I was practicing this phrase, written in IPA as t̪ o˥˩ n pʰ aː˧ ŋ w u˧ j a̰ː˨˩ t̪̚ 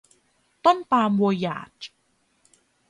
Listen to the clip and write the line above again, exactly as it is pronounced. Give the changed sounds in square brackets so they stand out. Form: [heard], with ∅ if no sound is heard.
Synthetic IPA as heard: t̪ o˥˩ n [p] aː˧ [m] w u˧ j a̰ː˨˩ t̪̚